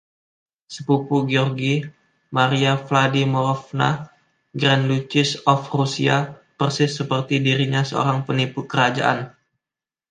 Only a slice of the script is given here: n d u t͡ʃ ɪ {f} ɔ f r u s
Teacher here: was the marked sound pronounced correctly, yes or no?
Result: no